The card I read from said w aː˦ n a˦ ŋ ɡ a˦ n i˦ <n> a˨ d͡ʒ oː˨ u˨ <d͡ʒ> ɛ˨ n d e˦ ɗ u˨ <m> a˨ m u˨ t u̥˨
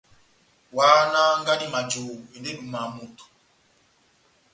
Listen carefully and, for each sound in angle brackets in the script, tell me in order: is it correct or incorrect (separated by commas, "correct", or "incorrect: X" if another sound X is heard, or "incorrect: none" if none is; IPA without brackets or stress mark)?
incorrect: m, incorrect: none, correct